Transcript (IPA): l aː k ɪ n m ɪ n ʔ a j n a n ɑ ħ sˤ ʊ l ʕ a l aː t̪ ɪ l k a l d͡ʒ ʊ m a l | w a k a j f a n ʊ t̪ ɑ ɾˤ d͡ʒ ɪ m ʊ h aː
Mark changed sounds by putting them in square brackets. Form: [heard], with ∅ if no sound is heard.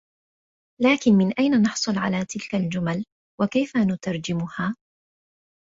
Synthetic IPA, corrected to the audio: l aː k ɪ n m ɪ n ʔ a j n a n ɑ ħ sˤ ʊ l ʕ a l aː t̪ ɪ l k a l d͡ʒ ʊ m a l | w a k a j f a n ʊ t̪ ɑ ɾˤ d͡ʒ ɪ m ʊ h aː

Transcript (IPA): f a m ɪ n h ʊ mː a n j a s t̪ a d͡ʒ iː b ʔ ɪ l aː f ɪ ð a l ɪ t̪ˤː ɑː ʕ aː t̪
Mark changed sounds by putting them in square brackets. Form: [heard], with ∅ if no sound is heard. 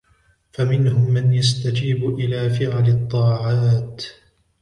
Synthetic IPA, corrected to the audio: f a m ɪ n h ʊ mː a n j a s t̪ a d͡ʒ iː b ʔ ɪ l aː f ɪ [ʕ] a l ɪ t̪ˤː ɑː ʕ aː t̪

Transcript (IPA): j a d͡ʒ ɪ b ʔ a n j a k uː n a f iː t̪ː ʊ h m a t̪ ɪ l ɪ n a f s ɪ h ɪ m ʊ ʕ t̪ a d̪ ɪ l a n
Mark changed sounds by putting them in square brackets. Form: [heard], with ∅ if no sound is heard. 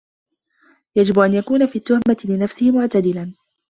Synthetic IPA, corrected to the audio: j a d͡ʒ ɪ b ʔ a n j a k uː n a f iː t̪ː ʊ h m a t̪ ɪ l ɪ n a f s ɪ h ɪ m ʊ ʕ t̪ a d̪ ɪ l a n

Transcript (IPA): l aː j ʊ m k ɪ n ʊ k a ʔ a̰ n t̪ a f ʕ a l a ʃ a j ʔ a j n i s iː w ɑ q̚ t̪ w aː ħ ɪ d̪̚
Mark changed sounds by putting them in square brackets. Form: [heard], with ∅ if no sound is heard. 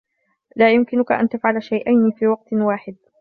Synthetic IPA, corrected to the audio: l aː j ʊ m k ɪ n ʊ k a ʔ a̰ n t̪ a f ʕ a l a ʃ a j ʔ a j n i [f] iː w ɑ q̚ t̪ w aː ħ ɪ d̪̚

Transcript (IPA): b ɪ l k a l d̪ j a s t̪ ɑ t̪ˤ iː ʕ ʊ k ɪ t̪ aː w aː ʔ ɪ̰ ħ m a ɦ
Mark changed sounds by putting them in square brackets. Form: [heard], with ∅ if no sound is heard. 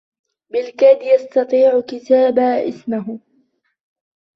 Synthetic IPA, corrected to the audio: b ɪ l k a [∅] d̪ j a s t̪ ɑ t̪ˤ iː ʕ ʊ k ɪ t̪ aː [b] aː ʔ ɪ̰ [s] m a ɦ

